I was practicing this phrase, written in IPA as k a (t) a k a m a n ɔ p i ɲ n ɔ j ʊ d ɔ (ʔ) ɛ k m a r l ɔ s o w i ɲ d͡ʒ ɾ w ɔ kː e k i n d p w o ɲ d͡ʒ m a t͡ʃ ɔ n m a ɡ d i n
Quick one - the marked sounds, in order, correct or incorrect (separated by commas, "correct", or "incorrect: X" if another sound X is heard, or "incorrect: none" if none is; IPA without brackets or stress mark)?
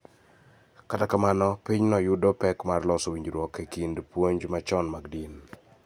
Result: correct, incorrect: p